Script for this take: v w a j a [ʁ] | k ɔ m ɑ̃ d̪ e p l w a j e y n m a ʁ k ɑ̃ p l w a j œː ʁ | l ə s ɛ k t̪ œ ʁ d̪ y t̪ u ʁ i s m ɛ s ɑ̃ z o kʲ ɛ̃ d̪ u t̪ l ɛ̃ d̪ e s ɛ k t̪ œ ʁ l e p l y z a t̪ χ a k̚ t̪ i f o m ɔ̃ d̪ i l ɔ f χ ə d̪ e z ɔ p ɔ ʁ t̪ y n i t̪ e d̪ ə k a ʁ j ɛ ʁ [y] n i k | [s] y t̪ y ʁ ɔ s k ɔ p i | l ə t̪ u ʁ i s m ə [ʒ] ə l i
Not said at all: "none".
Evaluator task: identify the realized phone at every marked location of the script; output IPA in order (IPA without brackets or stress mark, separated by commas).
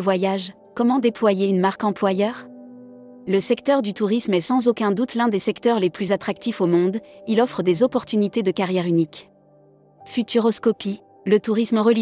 ʒ, y, f, ʁ